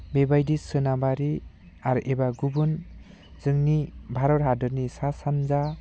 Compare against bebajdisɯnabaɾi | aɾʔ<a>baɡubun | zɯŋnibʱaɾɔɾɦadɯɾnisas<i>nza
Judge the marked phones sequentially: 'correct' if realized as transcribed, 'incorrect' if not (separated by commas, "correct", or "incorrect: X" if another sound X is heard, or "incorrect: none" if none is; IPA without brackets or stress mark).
incorrect: e, incorrect: a